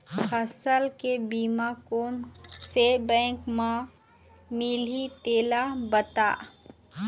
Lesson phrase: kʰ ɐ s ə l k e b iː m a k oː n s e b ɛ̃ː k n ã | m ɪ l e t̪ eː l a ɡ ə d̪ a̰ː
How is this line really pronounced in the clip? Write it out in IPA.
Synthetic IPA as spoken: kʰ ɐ s ə l k e b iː m a k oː n s e b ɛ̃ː k m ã | m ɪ l i t̪ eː l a b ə t̪ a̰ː